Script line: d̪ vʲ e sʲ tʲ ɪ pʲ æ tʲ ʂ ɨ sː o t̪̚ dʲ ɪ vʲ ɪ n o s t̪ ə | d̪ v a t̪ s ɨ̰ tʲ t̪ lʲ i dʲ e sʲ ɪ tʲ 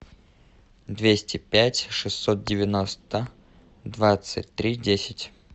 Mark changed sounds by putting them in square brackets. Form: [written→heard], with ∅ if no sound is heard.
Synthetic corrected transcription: d̪ vʲ e sʲ tʲ ɪ pʲ æ tʲ ʂ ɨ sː o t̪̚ dʲ ɪ vʲ ɪ n o s t̪ ə | d̪ v a t̪ s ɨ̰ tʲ t̪ [lʲ→ɾʲ] i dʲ e sʲ ɪ tʲ